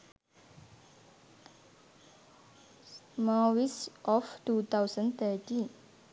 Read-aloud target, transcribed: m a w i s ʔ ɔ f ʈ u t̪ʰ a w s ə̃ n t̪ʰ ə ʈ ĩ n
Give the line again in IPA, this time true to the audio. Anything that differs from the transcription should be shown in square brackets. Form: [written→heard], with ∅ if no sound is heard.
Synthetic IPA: m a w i s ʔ ɔ f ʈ u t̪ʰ a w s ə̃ n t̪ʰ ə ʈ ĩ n